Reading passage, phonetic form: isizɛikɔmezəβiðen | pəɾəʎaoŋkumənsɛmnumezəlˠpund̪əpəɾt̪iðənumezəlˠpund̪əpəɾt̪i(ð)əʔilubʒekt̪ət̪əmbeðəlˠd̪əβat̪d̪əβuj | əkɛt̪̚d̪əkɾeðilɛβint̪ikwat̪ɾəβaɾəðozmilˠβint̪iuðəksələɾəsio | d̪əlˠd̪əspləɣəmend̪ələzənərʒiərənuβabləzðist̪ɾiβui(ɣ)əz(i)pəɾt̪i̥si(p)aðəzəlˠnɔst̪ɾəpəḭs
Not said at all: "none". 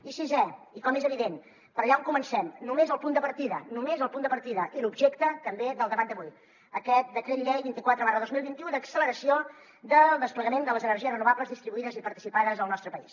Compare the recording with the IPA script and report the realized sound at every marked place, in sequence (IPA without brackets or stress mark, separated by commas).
ð, ð, i, p